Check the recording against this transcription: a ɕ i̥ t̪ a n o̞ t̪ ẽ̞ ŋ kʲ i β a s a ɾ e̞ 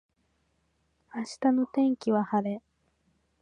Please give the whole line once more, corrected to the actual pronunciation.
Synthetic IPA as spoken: a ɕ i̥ t̪ a n o̞ t̪ ẽ̞ ŋ kʲ i β a h a ɾ e̞